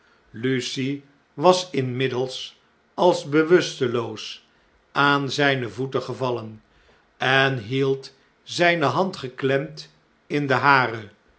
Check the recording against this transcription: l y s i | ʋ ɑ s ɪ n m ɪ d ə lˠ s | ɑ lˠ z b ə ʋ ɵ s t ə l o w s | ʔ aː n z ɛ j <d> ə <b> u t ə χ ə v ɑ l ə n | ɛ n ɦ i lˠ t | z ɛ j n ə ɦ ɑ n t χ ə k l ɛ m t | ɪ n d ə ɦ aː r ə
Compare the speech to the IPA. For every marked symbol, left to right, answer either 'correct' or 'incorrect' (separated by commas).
incorrect, incorrect